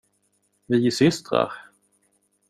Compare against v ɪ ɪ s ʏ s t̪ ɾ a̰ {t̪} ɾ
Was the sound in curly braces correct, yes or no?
no